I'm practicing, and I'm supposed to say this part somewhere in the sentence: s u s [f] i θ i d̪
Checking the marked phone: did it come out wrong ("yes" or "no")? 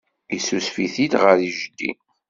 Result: no